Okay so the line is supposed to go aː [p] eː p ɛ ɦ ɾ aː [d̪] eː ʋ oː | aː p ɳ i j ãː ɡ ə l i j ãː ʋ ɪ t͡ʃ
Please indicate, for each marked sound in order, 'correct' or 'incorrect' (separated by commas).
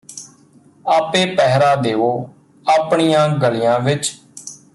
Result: correct, correct